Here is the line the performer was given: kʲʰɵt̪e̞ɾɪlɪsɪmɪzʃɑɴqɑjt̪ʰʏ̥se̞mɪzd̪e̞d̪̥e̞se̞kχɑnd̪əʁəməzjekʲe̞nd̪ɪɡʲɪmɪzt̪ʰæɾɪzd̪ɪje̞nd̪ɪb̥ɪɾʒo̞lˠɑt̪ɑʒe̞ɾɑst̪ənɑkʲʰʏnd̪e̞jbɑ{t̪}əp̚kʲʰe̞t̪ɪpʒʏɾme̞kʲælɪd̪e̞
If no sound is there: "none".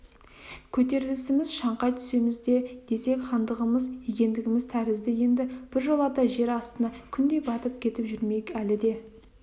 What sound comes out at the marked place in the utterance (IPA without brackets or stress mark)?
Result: t̪